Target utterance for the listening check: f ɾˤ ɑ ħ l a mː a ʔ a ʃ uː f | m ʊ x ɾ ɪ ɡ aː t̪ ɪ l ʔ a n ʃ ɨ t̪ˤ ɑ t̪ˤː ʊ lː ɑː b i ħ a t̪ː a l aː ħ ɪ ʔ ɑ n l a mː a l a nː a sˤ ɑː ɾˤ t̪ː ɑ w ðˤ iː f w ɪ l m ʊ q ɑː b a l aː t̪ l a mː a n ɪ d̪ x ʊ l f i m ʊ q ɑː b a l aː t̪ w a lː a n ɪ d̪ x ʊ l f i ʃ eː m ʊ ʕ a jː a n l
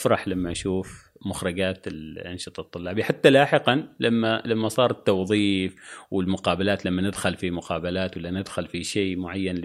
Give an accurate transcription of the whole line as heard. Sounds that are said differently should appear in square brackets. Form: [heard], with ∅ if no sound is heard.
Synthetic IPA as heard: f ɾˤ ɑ ħ l a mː a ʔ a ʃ uː f | m ʊ x ɾ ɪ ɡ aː t̪ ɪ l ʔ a n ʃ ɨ t̪ˤ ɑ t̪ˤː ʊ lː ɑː b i ħ a t̪ː a l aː ħ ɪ [q] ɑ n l a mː a l a [mː] a sˤ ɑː ɾˤ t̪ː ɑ w ðˤ iː f w ɪ l m ʊ q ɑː b a l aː t̪ l a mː a n ɪ d̪ x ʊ l f i m ʊ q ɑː b a l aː t̪ w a lː a n ɪ d̪ x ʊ l f i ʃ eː m ʊ ʕ a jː a n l